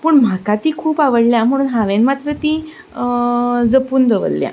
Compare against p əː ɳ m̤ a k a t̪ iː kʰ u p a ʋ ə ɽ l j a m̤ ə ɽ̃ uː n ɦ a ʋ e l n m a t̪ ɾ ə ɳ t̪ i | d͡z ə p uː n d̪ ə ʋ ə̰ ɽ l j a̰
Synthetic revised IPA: p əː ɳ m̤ a k a t̪ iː kʰ uː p a ʋ ə ɽ l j a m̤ ə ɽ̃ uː n ɦ a ʋ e n m a t̪ ɾ ə t̪ i | d͡z ə p uː n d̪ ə ʋ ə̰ l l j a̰